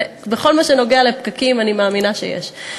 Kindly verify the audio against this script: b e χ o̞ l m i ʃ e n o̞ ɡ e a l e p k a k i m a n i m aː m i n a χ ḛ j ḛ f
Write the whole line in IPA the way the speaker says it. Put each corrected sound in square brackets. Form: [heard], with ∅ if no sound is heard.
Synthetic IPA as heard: b e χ o̞ l m [a] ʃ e n o̞ ɡ e a l e p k a k i m a n i m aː m i n a [ʃ] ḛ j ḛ [ʃ]